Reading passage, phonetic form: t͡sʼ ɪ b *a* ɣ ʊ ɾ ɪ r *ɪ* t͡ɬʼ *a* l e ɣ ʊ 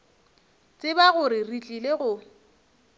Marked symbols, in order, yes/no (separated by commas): yes, no, no